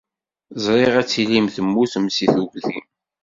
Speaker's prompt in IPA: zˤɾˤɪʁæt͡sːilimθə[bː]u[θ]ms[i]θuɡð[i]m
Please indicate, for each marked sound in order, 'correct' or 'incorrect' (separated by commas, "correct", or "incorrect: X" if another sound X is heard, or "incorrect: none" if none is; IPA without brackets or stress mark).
incorrect: mː, correct, correct, correct